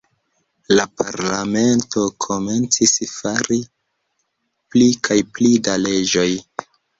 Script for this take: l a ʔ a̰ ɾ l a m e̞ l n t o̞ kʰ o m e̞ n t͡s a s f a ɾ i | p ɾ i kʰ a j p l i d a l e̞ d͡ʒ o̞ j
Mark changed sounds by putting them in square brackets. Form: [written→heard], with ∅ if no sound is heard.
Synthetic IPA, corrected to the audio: l a [ʔ→p] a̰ ɾ l a m e̞ [l→∅] n t o̞ kʰ o m e̞ n t͡s [a→i] s f a ɾ i | p [ɾ→l] i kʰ a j p l i d a l e̞ d͡ʒ o̞ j